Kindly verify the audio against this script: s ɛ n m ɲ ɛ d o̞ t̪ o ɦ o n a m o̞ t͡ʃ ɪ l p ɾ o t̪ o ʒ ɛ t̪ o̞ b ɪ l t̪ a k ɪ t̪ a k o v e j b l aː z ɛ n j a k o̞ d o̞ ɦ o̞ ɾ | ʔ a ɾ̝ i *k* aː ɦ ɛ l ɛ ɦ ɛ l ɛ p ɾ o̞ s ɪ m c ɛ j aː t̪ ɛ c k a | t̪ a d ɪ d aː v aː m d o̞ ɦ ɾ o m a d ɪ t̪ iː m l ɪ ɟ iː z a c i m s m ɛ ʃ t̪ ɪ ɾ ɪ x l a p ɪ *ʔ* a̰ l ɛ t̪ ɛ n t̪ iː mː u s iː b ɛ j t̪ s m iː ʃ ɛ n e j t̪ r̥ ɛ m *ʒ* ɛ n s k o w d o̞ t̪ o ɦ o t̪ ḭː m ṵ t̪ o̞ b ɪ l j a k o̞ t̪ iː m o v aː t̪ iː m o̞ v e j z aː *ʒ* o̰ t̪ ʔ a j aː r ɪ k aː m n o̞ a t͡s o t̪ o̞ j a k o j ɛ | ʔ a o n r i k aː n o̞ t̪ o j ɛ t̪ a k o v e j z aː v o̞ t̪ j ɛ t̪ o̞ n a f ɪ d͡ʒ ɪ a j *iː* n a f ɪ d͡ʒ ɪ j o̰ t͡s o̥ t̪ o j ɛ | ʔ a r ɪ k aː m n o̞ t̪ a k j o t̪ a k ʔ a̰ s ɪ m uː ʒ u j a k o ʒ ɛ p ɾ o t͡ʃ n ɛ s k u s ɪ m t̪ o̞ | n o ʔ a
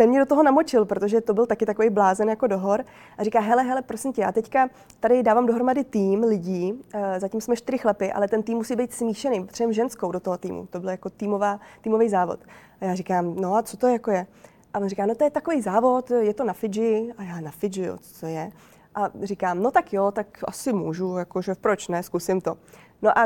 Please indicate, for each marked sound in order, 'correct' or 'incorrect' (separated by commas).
correct, correct, correct, incorrect, incorrect